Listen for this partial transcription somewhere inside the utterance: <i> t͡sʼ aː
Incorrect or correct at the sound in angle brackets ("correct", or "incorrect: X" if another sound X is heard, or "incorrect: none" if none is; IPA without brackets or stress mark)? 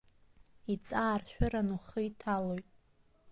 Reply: correct